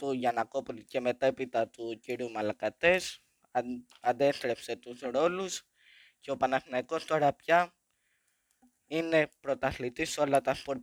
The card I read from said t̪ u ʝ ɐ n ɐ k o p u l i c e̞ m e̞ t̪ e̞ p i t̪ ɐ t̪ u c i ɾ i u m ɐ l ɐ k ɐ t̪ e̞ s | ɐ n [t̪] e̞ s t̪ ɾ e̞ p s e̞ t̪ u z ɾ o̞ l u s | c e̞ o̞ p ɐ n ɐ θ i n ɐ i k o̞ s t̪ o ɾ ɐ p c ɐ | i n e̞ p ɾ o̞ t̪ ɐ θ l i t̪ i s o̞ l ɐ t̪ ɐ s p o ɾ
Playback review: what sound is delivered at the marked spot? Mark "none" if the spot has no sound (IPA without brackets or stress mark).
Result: d̪